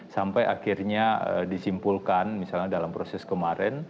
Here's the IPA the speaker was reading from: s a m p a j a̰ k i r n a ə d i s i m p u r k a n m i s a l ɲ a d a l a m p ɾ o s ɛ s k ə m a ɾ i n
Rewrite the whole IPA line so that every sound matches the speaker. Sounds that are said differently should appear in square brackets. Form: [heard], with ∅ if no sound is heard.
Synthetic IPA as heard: s a m p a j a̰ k i r [ɲ] a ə d i s i m p u [l] k a n m i s a l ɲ a d a l a m p ɾ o s ɛ s k ə m a ɾ [ɛ] n